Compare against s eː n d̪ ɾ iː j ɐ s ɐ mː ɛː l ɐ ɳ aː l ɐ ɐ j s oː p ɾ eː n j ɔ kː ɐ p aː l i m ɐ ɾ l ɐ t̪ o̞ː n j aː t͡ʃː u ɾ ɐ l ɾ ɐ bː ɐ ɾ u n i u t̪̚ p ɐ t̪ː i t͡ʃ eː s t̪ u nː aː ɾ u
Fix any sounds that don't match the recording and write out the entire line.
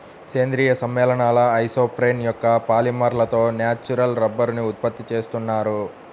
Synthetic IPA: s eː n d̪ ɾ iː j ɐ s ɐ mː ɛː l ɐ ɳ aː l ɐ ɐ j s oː p ɾ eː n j ɔ kː ɐ p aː l i m ɐ ɾ l ɐ t̪ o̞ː n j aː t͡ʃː u ɾ ɐ l ɾ ɐ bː ɐ ɾ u n i u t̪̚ p ɐ t̪ː i t͡ʃ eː s t̪ u nː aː ɾ u